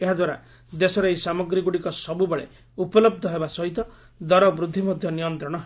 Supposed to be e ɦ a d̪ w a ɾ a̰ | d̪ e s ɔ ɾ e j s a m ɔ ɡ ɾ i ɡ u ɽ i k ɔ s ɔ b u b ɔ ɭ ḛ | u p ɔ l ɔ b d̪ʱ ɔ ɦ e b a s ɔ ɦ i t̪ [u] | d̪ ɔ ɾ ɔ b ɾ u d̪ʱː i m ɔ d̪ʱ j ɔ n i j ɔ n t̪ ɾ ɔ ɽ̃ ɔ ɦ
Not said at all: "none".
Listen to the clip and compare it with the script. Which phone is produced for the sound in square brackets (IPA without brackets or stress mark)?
ɔ